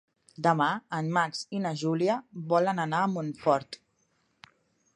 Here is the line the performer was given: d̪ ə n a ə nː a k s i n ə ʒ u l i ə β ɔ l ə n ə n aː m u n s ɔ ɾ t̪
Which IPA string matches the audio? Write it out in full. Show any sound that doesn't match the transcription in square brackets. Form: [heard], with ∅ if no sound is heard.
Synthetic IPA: d̪ ə [m] a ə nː a k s i n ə ʒ u l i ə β ɔ l ə n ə n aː m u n [f] ɔ ɾ t̪